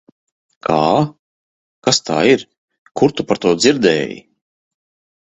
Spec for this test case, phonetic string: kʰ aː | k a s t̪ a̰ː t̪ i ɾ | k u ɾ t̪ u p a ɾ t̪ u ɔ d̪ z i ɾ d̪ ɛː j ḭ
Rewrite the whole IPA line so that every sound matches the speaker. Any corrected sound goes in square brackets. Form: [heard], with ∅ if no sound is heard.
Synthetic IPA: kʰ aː | k a s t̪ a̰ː [∅] i ɾ | k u ɾ t̪ u p a ɾ t̪ u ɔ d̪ z i ɾ d̪ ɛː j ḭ